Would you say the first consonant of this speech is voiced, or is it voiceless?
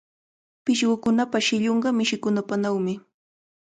voiceless